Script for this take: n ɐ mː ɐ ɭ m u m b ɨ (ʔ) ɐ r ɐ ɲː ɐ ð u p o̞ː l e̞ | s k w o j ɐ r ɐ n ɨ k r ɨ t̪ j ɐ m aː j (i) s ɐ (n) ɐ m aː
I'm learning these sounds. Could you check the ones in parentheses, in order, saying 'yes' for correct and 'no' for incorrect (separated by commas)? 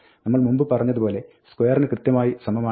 no, yes, no